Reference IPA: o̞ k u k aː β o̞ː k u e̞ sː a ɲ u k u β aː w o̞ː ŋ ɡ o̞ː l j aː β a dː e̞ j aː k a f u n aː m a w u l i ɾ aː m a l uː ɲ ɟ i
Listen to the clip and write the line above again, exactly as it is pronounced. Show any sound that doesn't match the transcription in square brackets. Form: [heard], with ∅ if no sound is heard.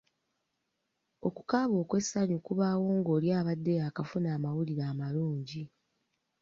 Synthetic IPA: o̞ k u k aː β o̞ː k [w] e̞ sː a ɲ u k u β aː w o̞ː ŋ ɡ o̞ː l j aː β a dː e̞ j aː k a f u n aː m a w u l i ɾ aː m a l uː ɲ ɟ i